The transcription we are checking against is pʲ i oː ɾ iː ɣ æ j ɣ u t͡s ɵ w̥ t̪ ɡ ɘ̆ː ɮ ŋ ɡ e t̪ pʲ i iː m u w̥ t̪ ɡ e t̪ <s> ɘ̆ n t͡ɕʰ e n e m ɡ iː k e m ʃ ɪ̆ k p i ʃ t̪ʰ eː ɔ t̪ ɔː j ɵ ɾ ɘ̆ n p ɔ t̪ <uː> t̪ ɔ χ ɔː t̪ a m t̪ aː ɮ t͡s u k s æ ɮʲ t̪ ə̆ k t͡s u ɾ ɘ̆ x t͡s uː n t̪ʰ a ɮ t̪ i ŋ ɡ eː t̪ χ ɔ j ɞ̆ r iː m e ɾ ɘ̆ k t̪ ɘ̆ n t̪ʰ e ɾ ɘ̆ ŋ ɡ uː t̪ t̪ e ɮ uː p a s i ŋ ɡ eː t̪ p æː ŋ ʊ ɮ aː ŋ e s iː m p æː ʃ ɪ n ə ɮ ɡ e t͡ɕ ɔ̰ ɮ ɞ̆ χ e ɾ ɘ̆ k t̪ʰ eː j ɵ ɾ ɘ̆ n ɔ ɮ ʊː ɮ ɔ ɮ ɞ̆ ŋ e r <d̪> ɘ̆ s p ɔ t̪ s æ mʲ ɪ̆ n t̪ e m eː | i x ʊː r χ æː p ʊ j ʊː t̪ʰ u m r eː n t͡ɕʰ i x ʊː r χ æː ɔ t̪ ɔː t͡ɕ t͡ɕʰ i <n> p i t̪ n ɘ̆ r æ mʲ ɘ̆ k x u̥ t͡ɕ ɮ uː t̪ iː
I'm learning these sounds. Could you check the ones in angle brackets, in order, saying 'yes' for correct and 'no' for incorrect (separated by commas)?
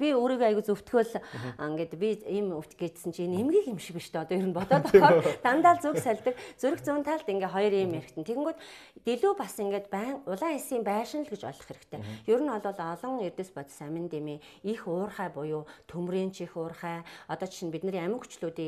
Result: yes, no, no, yes